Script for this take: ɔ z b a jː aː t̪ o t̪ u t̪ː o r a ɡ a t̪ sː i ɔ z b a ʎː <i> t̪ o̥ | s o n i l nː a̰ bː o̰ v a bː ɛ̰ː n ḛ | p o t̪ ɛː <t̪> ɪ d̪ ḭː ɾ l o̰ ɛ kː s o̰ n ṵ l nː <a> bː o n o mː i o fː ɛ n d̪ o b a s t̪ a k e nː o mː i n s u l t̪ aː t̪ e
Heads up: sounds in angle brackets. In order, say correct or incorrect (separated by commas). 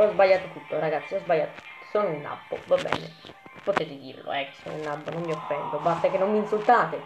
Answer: incorrect, correct, correct